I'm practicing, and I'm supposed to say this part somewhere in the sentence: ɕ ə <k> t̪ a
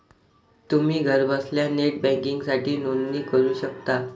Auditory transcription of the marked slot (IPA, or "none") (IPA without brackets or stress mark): k